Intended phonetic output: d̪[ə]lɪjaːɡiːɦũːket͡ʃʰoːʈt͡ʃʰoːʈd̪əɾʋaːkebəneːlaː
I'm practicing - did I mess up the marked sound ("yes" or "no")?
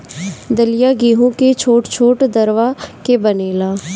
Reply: no